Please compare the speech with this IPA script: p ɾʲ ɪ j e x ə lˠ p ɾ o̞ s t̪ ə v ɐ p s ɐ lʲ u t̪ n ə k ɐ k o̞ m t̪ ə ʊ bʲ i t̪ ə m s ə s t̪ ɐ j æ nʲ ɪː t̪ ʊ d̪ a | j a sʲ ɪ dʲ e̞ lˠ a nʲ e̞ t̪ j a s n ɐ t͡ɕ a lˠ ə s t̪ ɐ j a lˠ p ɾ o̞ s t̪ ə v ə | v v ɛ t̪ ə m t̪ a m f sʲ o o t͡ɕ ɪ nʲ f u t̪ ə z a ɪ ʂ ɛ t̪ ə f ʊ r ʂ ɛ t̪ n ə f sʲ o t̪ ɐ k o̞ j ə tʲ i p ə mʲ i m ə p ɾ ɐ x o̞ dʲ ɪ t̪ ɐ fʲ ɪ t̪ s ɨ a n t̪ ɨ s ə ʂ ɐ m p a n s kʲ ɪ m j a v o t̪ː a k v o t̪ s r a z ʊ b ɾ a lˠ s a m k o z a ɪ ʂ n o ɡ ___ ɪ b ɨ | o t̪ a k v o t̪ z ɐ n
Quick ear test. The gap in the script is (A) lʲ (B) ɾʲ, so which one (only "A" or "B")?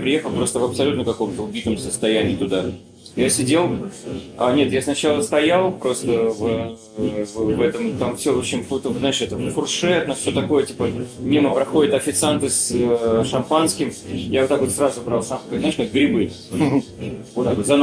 B